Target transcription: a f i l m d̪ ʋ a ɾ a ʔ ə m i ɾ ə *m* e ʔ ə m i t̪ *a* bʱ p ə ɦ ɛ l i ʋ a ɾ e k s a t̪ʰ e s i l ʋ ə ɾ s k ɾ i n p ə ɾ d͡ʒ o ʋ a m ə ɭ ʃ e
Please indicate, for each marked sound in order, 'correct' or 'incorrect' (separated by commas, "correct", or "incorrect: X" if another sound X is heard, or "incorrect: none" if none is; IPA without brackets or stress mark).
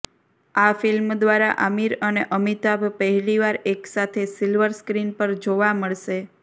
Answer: incorrect: n, correct